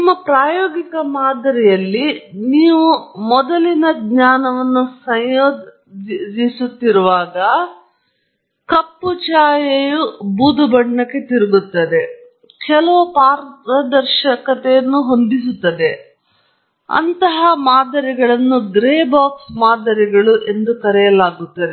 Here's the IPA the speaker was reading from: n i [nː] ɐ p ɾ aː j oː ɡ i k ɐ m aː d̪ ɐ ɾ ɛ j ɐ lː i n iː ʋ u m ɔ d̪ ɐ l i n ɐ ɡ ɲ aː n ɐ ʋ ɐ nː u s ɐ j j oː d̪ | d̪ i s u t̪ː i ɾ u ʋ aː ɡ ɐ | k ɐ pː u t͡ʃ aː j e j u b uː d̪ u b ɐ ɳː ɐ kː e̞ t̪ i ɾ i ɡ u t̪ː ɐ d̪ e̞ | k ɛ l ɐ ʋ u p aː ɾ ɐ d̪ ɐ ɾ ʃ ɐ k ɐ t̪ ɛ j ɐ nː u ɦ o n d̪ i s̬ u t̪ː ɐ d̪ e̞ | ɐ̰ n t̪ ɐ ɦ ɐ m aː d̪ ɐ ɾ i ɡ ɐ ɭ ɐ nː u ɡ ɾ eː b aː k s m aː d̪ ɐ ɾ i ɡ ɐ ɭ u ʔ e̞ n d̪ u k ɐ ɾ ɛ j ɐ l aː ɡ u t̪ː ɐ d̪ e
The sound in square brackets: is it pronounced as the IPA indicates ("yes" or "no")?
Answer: no